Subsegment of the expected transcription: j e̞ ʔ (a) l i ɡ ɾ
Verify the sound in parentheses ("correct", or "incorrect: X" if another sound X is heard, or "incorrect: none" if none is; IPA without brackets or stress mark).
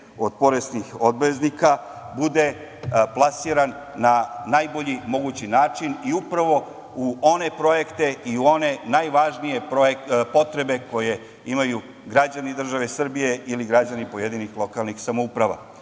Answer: incorrect: i